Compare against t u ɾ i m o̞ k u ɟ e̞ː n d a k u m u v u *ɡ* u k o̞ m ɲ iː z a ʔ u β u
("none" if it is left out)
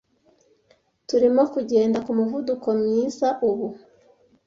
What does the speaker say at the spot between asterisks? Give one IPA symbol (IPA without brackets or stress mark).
d